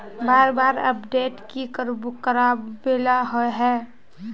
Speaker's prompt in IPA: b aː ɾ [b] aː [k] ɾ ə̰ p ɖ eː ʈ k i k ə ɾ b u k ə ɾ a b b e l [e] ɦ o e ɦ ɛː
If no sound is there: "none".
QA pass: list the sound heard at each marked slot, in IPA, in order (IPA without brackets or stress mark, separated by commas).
b, none, a